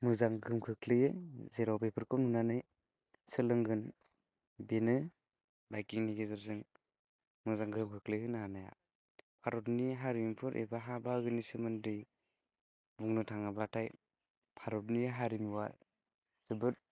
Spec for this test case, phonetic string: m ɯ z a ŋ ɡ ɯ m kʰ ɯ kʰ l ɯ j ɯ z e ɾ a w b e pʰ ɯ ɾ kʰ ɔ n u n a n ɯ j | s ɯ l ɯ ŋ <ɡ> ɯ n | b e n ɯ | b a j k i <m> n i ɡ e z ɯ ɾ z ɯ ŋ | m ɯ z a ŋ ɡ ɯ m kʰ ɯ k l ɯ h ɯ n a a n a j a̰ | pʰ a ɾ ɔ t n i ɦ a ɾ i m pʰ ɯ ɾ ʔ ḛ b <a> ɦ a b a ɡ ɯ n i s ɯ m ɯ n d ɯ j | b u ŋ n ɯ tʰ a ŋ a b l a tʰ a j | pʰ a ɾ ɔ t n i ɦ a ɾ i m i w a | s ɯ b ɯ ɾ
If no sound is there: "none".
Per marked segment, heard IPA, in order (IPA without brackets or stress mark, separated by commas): ɡ, ŋ, a